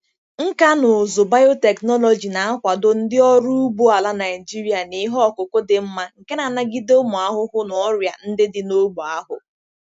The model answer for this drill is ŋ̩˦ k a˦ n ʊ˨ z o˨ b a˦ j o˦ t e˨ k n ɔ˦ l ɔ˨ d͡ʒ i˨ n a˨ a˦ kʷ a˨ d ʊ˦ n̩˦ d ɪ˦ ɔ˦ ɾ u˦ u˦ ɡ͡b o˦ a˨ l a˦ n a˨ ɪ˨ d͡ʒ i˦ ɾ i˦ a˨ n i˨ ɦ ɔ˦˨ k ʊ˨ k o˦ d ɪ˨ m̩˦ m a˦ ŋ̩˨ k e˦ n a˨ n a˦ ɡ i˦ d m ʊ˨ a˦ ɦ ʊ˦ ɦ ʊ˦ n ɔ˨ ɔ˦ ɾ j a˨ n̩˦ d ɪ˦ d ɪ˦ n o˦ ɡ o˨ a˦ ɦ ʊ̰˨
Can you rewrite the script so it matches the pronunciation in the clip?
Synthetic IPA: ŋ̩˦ k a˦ n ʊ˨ z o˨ b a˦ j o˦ t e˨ k n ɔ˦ l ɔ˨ d͡ʒ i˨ n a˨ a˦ kʷ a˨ d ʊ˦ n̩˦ d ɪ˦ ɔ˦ ɾ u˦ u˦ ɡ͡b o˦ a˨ l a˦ n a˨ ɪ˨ d͡ʒ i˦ ɾ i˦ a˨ n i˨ ɦ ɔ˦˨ k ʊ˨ k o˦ d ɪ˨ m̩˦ m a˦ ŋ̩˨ k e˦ n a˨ n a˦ ɡ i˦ d m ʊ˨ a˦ ɦ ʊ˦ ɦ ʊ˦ n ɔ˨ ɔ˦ ɾ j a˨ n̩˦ d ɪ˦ d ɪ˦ n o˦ ɡ͡b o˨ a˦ ɦ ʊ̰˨